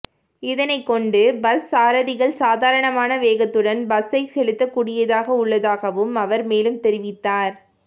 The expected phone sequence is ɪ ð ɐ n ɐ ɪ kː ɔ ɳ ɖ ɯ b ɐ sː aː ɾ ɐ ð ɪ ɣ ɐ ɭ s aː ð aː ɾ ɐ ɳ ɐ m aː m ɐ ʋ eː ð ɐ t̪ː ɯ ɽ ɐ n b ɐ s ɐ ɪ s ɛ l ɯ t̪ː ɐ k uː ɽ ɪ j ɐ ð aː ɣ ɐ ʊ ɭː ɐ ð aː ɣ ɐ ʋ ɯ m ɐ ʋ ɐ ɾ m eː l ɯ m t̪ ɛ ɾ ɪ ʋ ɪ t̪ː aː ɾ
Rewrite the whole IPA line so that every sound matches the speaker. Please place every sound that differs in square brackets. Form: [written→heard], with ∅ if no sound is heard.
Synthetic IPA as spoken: ɪ ð ɐ n ɐ ɪ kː ɔ ɳ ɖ ɯ b ɐ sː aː ɾ ɐ ð ɪ ɣ ɐ ɭ s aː ð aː ɾ ɐ ɳ ɐ m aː [m→n] ɐ ʋ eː [ð→ɣ] ɐ t̪ː ɯ ɽ ɐ n b ɐ s ɐ ɪ s ɛ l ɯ t̪ː ɐ k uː ɽ ɪ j ɐ ð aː ɣ ɐ ʊ ɭː ɐ ð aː ɣ ɐ ʋ ɯ m ɐ ʋ ɐ ɾ m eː l ɯ m t̪ ɛ ɾ ɪ ʋ ɪ t̪ː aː ɾ